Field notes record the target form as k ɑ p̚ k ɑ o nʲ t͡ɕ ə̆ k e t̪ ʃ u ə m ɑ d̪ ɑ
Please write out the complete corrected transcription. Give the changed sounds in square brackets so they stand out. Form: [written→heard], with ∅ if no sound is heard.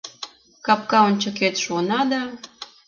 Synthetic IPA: k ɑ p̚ k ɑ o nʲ t͡ɕ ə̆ k e t̪ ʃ u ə [m→n] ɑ d̪ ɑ

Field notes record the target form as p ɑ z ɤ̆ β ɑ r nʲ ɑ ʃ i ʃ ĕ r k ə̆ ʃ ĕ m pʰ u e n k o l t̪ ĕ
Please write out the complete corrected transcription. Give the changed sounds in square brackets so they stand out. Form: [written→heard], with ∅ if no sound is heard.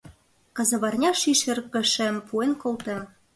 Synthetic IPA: [p→k] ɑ z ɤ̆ β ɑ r nʲ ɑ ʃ i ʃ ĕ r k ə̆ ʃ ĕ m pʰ u e n k o l t̪ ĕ

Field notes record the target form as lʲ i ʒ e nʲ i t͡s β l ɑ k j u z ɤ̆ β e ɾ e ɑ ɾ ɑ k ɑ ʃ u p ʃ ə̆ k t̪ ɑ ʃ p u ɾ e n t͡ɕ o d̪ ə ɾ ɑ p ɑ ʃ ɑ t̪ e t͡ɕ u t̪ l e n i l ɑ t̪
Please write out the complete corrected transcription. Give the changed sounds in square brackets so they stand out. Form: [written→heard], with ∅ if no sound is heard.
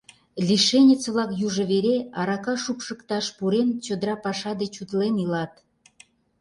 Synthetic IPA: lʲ i [ʒ→ʃ] e nʲ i t͡s β l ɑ k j u [z→ʒ] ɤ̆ β e ɾ e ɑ ɾ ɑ k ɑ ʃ u p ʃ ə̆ k t̪ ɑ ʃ p u ɾ e n t͡ɕ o d̪ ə ɾ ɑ p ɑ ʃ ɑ [t̪→d̪] e t͡ɕ u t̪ l e n i l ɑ t̪

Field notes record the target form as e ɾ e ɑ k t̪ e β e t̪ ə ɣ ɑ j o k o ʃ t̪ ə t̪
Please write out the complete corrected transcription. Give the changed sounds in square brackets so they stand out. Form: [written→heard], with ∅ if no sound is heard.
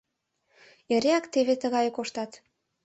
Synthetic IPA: e ɾ e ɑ k t̪ e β e t̪ ə ɣ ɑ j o k o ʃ t̪ [ə→ɑ] t̪

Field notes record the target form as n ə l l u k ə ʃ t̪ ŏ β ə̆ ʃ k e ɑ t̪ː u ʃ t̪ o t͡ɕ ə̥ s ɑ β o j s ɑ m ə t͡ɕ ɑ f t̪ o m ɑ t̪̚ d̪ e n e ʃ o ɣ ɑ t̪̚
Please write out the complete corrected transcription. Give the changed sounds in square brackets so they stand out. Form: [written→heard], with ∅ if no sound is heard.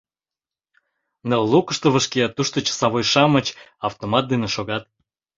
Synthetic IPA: n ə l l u k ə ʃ t̪ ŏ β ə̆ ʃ k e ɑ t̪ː u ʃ t̪ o t͡ɕ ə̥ s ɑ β o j [s→ʃ] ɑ m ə t͡ɕ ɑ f t̪ o m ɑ t̪̚ d̪ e n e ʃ o ɣ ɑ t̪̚

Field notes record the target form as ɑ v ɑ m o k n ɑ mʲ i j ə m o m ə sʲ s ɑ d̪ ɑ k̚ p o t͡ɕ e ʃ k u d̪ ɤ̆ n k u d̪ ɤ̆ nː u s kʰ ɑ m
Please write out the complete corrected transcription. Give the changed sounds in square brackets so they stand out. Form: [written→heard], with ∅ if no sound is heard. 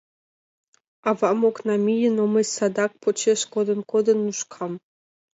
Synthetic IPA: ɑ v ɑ m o k n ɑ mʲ i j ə [m→n] o m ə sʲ s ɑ d̪ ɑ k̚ p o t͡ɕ e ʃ k [u→o] d̪ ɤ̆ n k [u→o] d̪ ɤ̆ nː u [s→ʃ] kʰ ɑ m

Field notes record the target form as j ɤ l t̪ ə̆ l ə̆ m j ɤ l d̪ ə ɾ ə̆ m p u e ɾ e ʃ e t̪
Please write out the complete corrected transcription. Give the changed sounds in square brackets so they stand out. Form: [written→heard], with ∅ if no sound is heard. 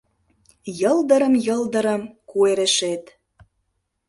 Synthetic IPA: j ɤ l [t̪→d̪] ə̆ [l→ɾ] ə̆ m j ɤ l d̪ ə ɾ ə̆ m [p→k] u e ɾ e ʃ e t̪

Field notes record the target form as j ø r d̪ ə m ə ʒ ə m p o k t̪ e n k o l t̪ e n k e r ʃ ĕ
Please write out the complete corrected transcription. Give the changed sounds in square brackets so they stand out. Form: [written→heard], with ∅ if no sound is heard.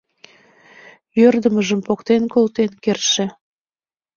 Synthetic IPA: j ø r d̪ ə m ə ʒ ə m p o k t̪ e n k o l t̪ e n k e r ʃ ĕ

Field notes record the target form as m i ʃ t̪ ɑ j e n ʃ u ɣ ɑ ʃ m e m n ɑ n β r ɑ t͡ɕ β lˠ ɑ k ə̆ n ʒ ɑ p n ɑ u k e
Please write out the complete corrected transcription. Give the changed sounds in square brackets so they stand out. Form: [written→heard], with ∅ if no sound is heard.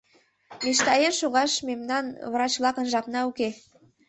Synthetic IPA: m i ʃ t̪ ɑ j e n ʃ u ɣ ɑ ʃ m e m n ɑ n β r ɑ t͡ɕ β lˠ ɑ k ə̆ n ʒ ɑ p n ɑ u k e

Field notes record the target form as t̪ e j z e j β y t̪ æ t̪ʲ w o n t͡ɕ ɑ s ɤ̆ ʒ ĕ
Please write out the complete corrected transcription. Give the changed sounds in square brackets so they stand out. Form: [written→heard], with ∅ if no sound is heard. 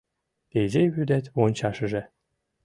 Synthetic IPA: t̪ e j z e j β y [t̪→d̪] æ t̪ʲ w o n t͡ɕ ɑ [s→ʃ] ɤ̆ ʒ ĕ

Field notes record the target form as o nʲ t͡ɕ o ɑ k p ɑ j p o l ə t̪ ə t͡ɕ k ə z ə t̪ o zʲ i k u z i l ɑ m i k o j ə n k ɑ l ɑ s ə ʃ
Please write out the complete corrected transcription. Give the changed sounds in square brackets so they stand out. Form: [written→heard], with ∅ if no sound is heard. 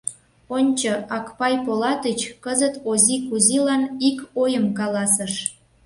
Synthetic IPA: o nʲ t͡ɕ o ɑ k p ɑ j p o l [ə→ɑ] t̪ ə t͡ɕ k ə z ə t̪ o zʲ i k u z i l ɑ [m→n] i k o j ə [n→m] k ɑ l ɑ s ə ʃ

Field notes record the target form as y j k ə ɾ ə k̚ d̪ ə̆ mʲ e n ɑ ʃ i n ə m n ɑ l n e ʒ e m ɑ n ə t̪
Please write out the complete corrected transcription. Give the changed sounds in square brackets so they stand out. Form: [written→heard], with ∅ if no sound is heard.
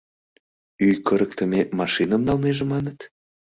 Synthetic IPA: y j k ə ɾ ə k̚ [d̪→t̪] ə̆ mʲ e [n→m] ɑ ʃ i n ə m n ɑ l n e ʒ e m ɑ n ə t̪

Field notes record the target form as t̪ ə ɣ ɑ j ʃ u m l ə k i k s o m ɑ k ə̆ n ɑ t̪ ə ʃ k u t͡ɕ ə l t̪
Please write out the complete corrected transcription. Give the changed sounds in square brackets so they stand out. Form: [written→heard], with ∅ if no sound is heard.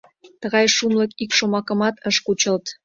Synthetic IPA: t̪ ə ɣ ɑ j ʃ u m l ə k i k [s→ʃ] o m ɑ k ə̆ [n→m] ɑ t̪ ə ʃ k u t͡ɕ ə l t̪

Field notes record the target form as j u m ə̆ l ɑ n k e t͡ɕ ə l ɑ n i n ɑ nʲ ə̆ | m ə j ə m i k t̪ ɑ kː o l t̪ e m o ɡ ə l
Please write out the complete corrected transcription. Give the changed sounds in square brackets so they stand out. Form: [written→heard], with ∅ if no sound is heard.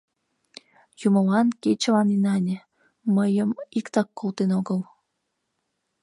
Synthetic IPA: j u m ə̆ l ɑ n k e t͡ɕ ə l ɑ n i n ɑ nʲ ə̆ | m ə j ə m i k t̪ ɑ kː o l t̪ e [m→n] o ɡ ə l

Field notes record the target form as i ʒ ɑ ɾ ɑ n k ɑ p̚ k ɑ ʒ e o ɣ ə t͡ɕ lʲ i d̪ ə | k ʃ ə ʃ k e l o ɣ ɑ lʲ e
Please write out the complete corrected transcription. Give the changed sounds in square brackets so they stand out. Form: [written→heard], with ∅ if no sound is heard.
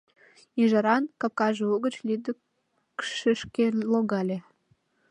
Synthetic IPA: i ʒ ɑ ɾ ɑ n k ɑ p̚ k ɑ ʒ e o ɣ ə t͡ɕ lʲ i d̪ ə | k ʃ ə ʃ k e l o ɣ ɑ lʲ e

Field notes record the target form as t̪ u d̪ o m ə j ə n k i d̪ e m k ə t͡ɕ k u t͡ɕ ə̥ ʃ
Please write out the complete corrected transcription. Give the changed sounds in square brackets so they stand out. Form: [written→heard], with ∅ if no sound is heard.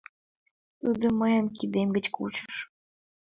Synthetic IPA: t̪ u d̪ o m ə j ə [n→m] k i d̪ e m [k→ɡ] ə t͡ɕ k u t͡ɕ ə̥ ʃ

